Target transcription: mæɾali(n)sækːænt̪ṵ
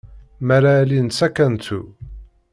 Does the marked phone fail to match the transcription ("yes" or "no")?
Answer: no